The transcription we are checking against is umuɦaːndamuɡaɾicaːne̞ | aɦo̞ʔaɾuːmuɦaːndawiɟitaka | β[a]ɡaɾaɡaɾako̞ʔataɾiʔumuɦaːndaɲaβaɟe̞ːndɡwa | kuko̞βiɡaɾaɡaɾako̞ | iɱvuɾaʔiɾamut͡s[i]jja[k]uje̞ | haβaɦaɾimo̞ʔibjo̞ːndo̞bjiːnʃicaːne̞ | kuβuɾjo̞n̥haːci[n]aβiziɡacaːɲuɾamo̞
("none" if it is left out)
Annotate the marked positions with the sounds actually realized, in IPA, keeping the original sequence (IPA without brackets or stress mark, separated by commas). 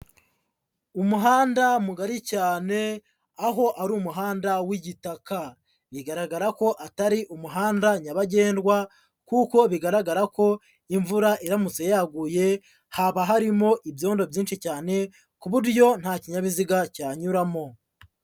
i, e, ɡ, ɲ